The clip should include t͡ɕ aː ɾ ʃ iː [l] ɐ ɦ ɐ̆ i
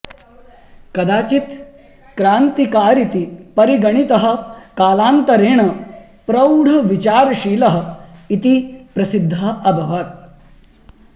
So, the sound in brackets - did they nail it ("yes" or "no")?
yes